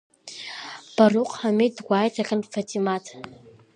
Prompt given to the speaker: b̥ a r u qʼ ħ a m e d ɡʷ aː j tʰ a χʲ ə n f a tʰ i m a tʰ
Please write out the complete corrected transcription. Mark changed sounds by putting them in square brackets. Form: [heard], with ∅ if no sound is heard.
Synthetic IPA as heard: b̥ a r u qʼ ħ a m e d ɡʷ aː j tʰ a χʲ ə n f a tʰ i m a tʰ